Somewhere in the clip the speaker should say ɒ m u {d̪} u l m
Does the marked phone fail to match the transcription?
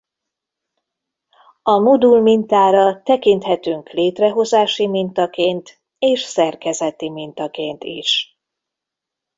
no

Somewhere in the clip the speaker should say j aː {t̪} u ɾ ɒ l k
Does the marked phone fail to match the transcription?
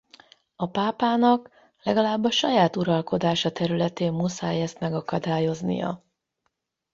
no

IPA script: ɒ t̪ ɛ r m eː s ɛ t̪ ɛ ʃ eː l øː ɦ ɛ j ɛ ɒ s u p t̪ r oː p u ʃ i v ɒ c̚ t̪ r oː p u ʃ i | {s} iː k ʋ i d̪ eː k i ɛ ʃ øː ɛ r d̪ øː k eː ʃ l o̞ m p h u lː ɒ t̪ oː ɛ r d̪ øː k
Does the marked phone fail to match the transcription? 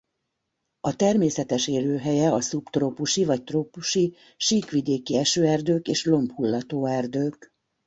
yes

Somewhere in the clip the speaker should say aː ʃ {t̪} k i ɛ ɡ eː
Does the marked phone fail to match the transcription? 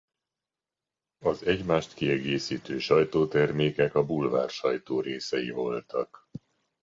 no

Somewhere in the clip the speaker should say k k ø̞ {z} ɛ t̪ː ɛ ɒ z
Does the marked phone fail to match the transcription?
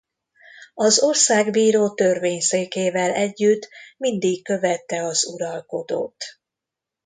yes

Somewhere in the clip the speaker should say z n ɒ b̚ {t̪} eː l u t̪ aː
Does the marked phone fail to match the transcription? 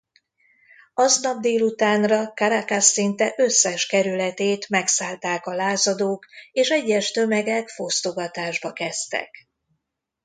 yes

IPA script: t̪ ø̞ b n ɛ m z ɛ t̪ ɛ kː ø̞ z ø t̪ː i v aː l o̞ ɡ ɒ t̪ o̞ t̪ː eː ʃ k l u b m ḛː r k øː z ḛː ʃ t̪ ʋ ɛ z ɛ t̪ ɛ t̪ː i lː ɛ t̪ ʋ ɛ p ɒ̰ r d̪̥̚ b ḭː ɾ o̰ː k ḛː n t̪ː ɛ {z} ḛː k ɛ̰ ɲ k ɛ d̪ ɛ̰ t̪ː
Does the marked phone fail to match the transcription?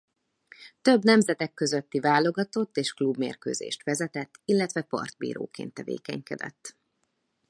yes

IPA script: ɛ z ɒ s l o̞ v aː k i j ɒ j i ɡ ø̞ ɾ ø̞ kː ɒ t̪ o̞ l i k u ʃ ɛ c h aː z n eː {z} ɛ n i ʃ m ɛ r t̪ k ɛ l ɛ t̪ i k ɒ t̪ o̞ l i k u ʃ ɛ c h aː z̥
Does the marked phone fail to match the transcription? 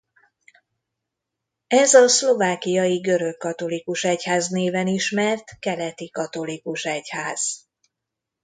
yes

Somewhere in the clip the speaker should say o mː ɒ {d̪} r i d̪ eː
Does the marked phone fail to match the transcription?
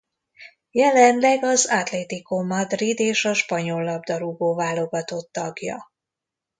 no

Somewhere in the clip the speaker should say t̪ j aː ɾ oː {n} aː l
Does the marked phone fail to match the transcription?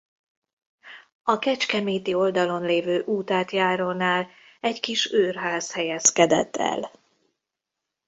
no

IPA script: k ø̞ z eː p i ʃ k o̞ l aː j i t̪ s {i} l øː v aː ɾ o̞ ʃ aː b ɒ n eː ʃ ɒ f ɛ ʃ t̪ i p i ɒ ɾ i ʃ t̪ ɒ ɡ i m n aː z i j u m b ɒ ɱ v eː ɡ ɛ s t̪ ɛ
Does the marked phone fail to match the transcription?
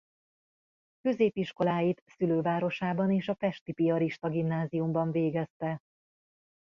yes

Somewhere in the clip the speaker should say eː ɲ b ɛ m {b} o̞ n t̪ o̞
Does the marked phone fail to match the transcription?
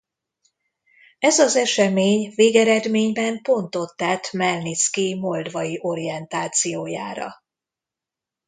yes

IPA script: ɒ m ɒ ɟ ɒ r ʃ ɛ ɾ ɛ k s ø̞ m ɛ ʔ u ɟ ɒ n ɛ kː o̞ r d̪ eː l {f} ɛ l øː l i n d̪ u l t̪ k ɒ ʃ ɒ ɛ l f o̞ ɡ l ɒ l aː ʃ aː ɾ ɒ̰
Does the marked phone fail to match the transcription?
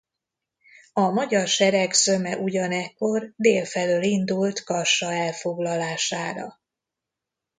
no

